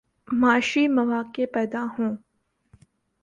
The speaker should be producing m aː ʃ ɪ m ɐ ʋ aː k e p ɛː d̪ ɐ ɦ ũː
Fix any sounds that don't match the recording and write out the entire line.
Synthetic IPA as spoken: m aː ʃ i m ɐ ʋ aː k e p ɛː d̪ a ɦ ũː